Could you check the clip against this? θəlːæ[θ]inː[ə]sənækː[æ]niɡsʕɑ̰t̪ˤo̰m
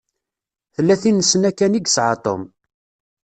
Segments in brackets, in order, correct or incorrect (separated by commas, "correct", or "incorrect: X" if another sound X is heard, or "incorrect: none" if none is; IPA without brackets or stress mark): correct, correct, correct